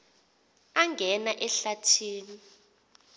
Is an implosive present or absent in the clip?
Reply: absent